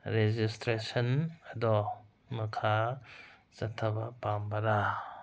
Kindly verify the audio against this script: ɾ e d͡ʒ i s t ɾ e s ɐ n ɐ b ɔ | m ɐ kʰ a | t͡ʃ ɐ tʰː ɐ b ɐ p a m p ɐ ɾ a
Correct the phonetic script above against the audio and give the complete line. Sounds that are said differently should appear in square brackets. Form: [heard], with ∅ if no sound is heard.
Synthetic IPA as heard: ɾ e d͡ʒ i s t ɾ e s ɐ n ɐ [d] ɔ | m ɐ kʰ a | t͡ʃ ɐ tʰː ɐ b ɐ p a m [b] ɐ ɾ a